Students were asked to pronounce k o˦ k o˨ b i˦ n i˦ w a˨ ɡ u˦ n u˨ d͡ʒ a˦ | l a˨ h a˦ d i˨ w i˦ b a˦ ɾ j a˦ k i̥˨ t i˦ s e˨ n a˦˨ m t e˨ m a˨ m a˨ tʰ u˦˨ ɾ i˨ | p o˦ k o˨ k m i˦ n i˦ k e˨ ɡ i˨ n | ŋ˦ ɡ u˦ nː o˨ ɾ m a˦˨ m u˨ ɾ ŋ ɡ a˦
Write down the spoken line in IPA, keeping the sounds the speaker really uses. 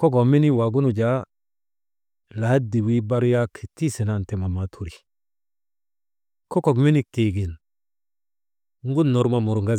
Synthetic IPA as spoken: k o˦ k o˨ m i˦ n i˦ w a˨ ɡ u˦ n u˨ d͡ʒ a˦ | l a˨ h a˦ d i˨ w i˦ b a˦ ɾ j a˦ k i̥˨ t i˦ s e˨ n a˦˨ n t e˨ m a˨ m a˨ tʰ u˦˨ ɾ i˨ | k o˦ k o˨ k m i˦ n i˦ k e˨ ɡ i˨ n | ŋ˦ ɡ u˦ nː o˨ ɾ m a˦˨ m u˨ ɾ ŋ ɡ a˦